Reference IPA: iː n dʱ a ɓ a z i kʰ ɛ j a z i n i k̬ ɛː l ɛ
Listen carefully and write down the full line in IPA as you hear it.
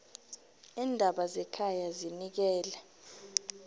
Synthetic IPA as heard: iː n dʱ a ɓ a z ɛ kʰ a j a z i n i k̬ ɛː l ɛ